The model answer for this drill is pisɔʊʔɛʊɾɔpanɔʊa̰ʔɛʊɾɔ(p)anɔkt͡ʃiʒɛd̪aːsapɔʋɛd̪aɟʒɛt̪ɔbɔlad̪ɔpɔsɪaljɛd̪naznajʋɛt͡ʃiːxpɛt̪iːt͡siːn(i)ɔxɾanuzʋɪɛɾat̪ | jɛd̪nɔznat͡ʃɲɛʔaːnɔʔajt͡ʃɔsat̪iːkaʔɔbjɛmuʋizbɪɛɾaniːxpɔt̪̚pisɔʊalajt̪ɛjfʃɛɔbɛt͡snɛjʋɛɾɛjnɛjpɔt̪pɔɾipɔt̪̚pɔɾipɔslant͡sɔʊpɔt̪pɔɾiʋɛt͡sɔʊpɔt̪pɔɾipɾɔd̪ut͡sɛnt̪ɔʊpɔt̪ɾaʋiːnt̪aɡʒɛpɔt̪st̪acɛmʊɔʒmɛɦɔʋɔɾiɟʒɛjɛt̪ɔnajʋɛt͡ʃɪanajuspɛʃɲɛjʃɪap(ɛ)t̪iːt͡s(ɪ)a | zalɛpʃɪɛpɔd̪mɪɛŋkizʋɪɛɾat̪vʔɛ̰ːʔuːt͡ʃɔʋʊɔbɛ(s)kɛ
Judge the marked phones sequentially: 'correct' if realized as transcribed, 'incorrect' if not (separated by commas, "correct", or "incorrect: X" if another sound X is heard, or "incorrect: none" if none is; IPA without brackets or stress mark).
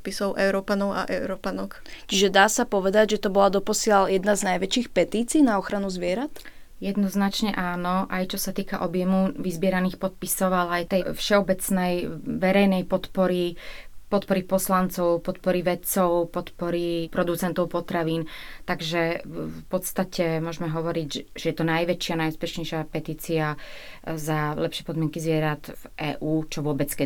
correct, incorrect: a, correct, incorrect: i, incorrect: t͡s